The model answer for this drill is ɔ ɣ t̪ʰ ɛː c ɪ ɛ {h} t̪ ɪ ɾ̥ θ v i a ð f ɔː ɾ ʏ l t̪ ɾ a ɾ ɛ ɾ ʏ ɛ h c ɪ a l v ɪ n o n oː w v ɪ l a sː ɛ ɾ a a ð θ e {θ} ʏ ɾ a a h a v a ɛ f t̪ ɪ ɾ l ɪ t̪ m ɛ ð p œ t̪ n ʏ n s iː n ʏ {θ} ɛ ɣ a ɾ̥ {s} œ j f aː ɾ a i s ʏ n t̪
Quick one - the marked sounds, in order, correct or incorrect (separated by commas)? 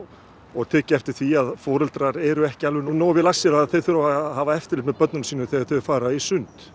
incorrect, correct, correct, incorrect